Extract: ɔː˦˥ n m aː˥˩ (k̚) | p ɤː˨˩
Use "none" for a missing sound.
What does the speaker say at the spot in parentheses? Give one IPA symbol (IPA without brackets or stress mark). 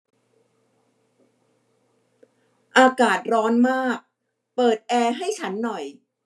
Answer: k̚